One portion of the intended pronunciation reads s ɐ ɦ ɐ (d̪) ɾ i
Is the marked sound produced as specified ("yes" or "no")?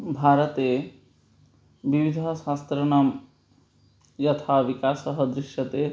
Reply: yes